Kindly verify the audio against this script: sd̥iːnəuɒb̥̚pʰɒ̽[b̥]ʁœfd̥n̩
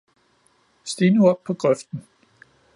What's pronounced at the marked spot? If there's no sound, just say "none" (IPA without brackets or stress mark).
ɡ̥